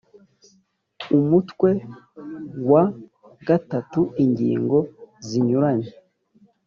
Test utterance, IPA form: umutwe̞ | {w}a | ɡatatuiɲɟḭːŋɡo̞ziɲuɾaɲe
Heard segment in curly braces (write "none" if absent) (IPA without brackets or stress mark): w